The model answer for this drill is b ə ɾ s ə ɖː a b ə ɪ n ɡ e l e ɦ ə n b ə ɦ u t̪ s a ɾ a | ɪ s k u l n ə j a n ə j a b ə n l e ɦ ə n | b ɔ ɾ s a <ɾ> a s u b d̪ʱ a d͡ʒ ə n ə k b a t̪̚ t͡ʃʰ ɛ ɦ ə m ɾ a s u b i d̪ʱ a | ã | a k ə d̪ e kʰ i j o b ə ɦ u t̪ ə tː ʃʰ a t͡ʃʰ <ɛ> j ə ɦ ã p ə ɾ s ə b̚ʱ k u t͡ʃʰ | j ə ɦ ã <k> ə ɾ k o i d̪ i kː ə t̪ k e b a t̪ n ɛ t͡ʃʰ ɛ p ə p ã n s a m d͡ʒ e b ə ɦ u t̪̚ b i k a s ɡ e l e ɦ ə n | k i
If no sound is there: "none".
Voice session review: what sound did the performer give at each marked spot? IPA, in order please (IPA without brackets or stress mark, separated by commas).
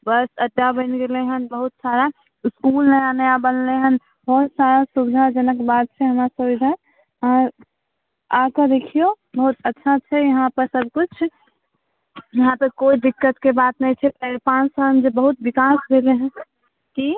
ɾ, ɛ, p